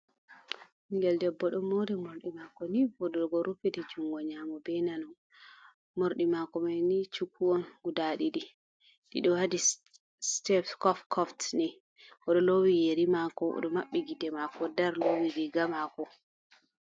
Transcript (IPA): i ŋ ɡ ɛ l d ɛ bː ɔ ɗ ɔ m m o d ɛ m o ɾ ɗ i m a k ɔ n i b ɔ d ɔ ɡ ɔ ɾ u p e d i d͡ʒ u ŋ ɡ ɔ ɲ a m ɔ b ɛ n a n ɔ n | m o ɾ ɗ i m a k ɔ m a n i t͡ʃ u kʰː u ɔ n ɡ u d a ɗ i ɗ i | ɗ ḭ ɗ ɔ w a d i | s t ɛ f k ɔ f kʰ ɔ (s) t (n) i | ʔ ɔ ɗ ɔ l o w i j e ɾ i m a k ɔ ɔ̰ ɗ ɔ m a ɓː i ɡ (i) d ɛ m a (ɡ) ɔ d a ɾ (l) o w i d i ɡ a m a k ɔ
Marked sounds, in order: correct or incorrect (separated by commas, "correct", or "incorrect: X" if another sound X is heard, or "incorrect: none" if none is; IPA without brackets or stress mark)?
incorrect: f, correct, correct, incorrect: k, correct